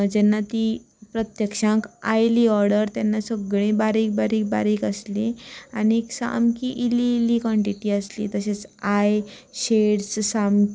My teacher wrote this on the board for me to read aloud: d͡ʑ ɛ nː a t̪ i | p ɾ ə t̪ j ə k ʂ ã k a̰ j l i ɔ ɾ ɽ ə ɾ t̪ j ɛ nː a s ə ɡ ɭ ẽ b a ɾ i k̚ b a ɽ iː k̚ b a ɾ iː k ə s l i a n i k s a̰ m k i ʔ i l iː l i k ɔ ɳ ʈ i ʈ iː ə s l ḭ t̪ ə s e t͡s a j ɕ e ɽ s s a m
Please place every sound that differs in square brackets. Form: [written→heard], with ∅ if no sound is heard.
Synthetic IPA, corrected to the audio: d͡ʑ ɛ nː a t̪ i | p ɾ ə t̪ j ə k ʂ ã k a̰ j l i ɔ ɾ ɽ ə ɾ t̪ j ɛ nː a s ə ɡ ɭ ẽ b a ɾ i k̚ b a [ɽ→ɾ] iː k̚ b a ɾ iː k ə s l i a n i k s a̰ m k i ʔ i l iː l i k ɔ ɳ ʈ i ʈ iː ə s l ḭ t̪ ə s e t͡s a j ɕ e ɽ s s a m

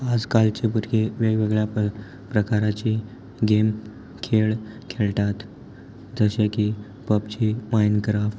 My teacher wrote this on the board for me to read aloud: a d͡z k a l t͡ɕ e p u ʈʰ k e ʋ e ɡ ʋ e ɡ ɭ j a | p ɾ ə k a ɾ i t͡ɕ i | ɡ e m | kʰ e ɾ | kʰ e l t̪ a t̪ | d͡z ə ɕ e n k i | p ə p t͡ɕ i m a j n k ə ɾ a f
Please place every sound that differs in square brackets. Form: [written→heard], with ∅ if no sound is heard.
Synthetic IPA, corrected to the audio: a d͡z k a l t͡ɕ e p u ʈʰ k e ʋ e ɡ ʋ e ɡ ɭ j a | p ɾ ə k a ɾ [i→a] t͡ɕ i | ɡ e m | kʰ e [ɾ→ɭ] | kʰ e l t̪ a t̪ | d͡z ə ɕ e [n→∅] k i | p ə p t͡ɕ i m a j n k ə ɾ a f

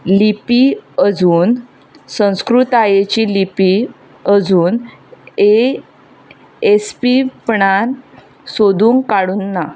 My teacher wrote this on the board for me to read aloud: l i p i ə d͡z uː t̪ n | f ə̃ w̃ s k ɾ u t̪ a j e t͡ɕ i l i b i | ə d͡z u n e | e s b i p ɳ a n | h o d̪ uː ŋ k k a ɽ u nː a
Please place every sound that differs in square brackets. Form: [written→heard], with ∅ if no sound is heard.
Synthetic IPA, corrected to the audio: l i p i ə d͡z uː [t̪→∅] n | [f→s] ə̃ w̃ s k ɾ u t̪ a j e t͡ɕ i l i [b→p] i | ə d͡z [u→uː] n e | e s [b→p] i p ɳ a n | [h→s] o d̪ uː ŋ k k a ɽ u nː a

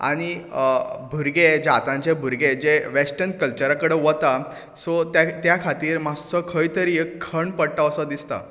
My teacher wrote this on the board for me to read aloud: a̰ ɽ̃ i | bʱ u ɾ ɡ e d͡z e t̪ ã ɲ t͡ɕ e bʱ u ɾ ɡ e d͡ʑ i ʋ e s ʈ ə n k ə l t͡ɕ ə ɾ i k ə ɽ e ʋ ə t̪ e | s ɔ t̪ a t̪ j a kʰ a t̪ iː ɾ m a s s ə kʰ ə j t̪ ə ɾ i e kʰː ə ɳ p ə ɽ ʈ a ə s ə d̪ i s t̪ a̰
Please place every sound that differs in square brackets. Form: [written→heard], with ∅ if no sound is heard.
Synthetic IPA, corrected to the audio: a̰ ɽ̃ i | bʱ u ɾ ɡ e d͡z [e→a] t̪ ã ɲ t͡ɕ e bʱ u ɾ ɡ e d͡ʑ [i→e] ʋ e s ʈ ə n k ə l t͡ɕ ə ɾ [i→a] k ə ɽ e ʋ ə t̪ [e→a] | s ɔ t̪ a t̪ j a kʰ a t̪ iː ɾ m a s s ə kʰ ə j t̪ ə ɾ i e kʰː ə ɳ p ə ɽ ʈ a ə s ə d̪ i s t̪ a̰

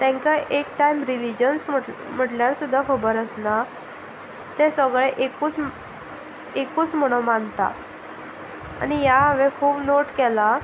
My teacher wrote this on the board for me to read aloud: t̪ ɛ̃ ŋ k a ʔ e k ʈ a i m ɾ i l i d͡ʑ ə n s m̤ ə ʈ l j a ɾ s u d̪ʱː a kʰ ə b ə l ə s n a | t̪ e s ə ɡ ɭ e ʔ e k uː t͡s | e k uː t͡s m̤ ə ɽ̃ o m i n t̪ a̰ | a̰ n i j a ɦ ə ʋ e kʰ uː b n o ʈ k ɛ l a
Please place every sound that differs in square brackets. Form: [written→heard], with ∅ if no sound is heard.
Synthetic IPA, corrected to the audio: t̪ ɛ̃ ŋ k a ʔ e k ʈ a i m ɾ i l i d͡ʑ ə n s m̤ ə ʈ l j a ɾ s u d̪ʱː a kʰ ə b ə [l→ɾ] ə s n a | t̪ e s ə ɡ ɭ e ʔ e k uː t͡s | e k uː t͡s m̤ ə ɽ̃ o m [i→a] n t̪ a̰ | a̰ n i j a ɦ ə ʋ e kʰ uː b n o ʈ k ɛ l a

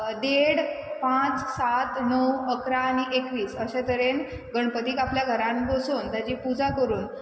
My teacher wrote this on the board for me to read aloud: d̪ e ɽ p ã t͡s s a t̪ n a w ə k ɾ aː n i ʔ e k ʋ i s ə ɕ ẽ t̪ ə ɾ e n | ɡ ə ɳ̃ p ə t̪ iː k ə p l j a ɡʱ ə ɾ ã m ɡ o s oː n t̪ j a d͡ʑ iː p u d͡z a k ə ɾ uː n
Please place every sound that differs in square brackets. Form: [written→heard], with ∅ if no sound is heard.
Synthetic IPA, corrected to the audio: d̪ e ɽ p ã t͡s s a t̪ n [a→ə] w ə k ɾ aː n i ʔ e k ʋ [i→iː] s ə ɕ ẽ t̪ ə ɾ e n | ɡ ə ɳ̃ p ə t̪ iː k [ə→a] p l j a ɡʱ ə ɾ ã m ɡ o s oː n t̪ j a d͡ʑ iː p u d͡z a k ə ɾ uː n

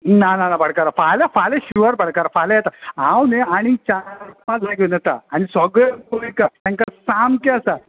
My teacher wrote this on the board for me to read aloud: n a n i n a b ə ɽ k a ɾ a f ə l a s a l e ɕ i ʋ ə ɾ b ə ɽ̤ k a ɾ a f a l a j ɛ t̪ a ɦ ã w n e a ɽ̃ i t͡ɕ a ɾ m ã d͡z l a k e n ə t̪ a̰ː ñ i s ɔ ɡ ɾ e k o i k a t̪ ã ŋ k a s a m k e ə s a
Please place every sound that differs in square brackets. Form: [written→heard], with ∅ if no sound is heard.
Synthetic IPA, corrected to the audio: n a n [i→a] n a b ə ɽ k a ɾ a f [ə→a] l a [s→f] a l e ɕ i ʋ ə ɾ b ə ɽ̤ k a ɾ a f a l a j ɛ t̪ a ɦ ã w n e a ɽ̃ i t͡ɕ a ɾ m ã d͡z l a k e n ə t̪ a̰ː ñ i s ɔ ɡ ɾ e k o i k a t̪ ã ŋ k a s a m k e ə s a

